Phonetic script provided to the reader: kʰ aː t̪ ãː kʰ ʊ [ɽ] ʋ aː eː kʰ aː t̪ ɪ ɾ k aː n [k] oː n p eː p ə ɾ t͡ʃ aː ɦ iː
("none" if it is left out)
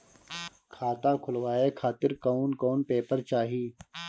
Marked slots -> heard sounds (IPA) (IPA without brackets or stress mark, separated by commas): l, k